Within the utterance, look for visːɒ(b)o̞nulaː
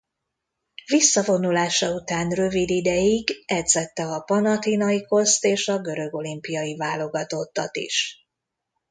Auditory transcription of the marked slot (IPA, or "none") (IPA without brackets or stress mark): v